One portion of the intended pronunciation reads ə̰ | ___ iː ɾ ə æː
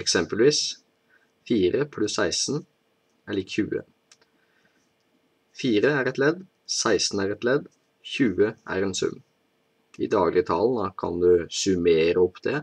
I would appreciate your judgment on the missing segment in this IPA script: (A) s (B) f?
B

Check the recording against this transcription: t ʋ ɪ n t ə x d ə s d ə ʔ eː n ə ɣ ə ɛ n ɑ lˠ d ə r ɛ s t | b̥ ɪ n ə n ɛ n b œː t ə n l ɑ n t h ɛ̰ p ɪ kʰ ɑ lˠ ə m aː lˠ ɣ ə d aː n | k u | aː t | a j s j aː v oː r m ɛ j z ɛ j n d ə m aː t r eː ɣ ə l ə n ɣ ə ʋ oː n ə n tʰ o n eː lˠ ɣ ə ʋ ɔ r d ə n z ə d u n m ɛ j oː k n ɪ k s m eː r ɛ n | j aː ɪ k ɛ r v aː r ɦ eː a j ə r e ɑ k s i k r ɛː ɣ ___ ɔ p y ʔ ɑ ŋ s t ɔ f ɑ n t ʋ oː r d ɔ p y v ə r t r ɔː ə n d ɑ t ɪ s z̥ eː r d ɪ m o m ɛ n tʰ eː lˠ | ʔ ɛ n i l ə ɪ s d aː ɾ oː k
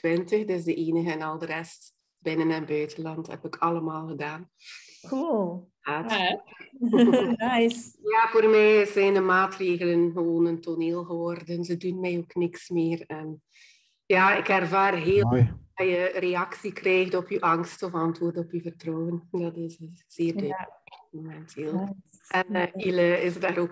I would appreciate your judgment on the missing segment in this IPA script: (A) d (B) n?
A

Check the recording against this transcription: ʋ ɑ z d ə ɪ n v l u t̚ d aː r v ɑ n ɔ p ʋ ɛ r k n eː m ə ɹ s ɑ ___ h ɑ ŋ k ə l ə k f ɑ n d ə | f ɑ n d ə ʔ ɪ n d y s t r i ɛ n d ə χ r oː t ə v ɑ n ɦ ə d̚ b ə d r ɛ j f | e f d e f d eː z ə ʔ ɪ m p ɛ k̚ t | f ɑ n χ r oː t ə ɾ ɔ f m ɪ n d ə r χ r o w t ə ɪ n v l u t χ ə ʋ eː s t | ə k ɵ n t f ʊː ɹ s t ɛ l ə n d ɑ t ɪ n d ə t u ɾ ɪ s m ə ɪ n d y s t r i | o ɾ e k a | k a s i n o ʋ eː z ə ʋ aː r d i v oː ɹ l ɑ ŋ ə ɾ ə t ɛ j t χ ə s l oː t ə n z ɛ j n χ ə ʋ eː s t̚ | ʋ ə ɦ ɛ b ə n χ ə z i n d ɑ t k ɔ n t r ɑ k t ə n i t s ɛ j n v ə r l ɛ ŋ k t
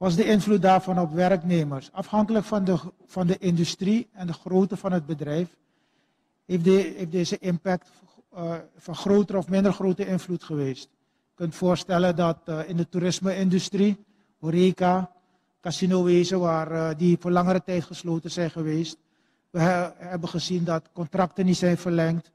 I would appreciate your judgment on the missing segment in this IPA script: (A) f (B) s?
A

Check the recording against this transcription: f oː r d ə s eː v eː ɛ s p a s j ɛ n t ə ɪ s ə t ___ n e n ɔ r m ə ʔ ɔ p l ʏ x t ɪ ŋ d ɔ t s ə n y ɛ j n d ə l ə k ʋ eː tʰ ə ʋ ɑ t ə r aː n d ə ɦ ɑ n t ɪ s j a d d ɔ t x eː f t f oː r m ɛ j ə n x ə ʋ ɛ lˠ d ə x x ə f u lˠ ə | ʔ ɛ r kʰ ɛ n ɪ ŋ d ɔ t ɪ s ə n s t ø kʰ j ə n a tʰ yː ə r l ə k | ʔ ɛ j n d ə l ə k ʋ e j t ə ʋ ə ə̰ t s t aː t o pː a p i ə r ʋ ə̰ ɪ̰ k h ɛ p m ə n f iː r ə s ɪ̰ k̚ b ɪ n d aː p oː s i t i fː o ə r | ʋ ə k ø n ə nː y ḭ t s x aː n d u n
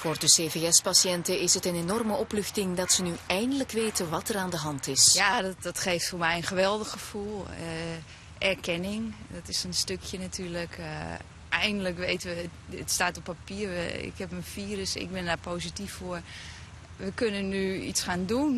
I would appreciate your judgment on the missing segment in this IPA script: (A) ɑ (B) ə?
B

